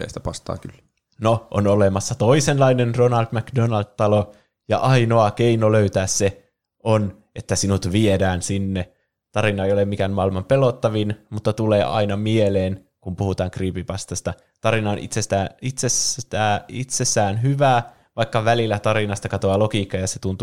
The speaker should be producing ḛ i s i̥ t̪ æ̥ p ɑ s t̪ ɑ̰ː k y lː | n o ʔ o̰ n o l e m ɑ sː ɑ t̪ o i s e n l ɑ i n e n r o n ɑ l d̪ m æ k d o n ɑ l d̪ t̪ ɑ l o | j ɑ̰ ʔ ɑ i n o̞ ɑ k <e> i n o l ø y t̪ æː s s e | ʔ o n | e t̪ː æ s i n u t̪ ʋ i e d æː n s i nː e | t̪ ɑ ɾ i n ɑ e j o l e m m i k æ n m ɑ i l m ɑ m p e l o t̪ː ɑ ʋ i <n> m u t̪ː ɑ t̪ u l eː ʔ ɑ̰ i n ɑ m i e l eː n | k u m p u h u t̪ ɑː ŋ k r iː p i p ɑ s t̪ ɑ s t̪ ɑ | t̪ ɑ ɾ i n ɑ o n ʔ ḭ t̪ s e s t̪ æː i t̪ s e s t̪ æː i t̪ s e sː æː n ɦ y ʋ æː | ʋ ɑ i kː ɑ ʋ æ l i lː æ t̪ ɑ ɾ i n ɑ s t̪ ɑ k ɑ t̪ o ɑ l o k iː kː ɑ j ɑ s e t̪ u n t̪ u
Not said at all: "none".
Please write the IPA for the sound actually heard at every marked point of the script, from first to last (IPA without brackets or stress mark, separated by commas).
e, n